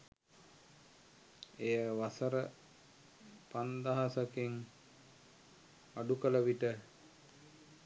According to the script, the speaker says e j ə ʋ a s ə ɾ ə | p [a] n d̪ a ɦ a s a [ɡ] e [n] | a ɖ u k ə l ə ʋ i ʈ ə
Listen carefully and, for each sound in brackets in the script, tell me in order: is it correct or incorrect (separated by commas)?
correct, incorrect, incorrect